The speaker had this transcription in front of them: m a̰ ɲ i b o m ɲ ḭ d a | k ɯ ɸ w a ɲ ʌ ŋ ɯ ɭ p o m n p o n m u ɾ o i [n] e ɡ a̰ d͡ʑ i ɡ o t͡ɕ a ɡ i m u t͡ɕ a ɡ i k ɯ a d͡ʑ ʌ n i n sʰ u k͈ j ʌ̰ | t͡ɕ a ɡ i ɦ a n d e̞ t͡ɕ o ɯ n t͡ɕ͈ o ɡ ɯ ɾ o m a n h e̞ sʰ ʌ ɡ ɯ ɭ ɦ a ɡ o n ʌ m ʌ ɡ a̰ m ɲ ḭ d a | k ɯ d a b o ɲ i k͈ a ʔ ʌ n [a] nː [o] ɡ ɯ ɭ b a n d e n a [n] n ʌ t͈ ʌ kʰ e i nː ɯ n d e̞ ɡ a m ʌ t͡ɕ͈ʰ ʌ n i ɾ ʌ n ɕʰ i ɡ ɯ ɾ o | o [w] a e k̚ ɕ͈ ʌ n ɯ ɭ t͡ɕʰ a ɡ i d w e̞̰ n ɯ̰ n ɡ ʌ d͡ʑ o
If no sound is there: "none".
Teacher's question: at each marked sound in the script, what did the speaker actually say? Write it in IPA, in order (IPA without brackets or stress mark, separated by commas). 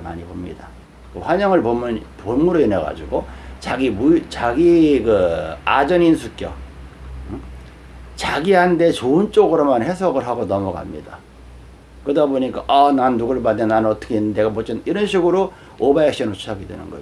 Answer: n, a, u, n, b